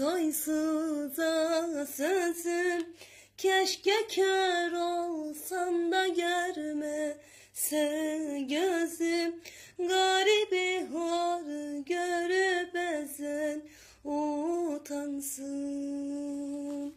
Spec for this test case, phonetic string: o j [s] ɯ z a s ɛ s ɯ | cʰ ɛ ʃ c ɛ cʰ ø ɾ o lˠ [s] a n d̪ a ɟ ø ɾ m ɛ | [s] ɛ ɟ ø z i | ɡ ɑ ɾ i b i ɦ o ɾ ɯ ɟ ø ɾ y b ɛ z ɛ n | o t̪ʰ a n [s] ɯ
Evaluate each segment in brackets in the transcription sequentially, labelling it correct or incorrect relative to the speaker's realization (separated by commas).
correct, correct, correct, correct